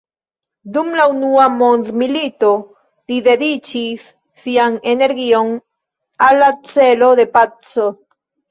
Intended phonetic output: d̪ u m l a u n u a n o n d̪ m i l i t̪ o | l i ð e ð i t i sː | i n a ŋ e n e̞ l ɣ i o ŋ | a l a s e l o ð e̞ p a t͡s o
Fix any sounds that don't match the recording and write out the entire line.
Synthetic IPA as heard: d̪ u m l a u n u a m o n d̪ m i l i t̪ o | l i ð e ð i t͡ʃ i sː | i a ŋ e n e̞ ɾ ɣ i o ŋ | a l a t͡s e l o ð e̞ p a t͡s o